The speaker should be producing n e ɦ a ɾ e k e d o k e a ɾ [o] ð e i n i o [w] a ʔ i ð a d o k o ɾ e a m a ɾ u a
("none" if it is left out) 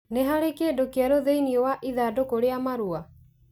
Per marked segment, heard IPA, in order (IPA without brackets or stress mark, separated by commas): o, w